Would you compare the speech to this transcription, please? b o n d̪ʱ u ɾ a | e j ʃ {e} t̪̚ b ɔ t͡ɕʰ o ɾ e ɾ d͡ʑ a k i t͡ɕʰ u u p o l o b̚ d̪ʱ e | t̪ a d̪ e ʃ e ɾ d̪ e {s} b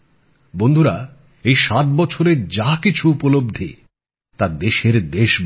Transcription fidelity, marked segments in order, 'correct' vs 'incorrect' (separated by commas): incorrect, incorrect